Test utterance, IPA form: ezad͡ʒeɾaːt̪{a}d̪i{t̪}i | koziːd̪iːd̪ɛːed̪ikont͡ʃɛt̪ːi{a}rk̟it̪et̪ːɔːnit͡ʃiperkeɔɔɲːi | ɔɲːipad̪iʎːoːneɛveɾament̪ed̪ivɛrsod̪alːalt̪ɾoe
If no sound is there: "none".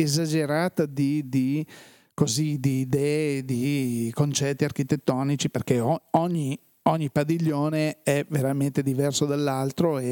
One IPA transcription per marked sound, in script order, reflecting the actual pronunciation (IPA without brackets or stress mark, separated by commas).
a, d̪, a